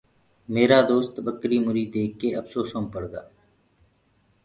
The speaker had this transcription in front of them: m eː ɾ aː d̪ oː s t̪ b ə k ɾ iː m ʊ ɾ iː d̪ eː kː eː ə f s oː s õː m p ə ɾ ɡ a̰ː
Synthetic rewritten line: m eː ɾ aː d̪ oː s t̪ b ə k ɾ iː m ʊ ɾ iː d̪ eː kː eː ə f s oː s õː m p ə ɽ ɡ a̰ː